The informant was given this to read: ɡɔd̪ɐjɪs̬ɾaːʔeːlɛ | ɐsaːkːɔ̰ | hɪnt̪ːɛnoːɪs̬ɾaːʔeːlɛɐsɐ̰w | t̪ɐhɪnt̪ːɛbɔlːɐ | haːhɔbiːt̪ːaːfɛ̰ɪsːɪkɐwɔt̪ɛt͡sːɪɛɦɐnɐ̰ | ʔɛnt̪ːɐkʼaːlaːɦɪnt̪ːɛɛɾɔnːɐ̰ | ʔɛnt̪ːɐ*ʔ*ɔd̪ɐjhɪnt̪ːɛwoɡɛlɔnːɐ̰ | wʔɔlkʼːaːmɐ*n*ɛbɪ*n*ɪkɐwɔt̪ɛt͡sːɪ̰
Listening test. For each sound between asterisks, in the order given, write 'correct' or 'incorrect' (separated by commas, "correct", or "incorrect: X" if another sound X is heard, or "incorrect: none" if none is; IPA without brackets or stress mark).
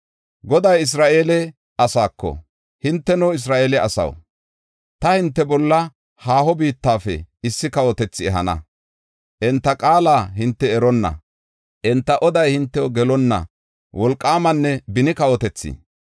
correct, incorrect: nː, correct